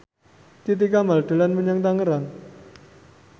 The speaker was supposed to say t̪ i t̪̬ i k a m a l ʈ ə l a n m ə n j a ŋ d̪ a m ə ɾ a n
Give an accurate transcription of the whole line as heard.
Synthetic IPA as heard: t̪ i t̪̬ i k a m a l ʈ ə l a n m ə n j a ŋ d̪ a ŋ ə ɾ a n